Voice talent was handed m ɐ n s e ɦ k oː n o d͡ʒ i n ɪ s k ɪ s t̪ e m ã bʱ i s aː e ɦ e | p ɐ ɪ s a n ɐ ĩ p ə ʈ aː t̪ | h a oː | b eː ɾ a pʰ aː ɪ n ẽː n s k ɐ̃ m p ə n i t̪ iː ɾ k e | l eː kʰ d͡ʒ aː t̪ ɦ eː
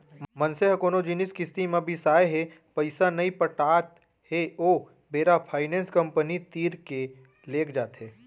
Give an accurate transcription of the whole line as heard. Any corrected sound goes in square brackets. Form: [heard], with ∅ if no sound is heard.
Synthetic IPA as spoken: m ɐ n s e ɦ k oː n o d͡ʒ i n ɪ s k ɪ s t̪ [i] m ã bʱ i s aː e ɦ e | p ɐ ɪ s a n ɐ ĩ p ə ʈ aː t̪ | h [e] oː | b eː ɾ a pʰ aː ɪ n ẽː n s k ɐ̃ m p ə n i t̪ iː ɾ k e | l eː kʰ d͡ʒ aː t̪ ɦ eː